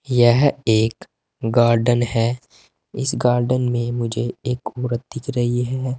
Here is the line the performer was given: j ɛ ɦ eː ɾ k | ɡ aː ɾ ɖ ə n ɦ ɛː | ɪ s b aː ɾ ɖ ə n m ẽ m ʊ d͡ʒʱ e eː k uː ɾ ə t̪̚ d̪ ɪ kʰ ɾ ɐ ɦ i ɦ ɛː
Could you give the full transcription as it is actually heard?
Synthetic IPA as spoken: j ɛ ɦ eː k | ɡ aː ɾ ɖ ə n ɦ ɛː | ɪ s ɡ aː ɾ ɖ ə n m ẽ m ʊ d͡ʒʱ e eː k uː ɾ ə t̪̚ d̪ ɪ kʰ ɾ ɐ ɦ i ɦ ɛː